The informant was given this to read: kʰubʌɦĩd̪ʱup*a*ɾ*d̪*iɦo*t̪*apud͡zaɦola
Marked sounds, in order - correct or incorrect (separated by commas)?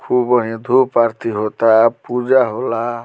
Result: correct, incorrect, correct